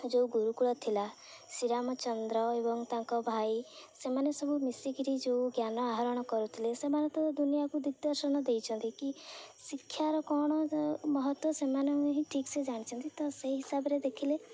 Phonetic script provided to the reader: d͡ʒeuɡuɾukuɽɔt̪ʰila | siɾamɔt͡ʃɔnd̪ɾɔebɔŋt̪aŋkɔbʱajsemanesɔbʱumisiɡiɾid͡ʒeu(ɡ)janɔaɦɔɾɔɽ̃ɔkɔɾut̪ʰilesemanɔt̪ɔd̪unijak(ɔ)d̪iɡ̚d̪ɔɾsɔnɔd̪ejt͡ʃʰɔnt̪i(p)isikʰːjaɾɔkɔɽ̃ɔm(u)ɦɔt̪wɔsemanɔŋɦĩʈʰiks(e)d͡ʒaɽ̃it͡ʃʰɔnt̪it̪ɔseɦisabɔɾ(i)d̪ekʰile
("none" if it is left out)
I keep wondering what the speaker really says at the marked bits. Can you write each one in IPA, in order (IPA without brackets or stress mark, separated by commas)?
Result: ɡ, u, k, ɔ, e, e